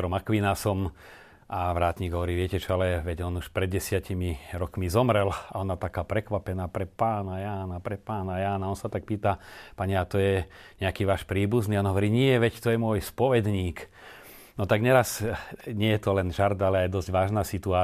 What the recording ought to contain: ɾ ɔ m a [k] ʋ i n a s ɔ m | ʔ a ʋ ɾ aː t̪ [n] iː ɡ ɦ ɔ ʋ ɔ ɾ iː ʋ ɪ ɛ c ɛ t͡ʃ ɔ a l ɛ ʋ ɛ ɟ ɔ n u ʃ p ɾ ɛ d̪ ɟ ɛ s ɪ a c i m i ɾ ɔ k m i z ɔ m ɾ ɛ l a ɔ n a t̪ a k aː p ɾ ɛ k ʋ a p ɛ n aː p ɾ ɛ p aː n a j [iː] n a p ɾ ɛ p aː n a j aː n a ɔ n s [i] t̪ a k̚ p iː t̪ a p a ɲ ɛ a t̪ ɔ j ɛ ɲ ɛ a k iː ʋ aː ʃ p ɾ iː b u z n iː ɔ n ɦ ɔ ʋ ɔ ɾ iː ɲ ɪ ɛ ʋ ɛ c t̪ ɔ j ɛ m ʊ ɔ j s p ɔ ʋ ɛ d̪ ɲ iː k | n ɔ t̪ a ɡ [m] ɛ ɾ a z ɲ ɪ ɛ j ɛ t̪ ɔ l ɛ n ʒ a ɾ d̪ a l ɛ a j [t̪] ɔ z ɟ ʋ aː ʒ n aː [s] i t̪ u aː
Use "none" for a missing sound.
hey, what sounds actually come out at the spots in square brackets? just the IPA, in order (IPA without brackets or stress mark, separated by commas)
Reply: k, ɲ, aː, a, ɲ, d̪, s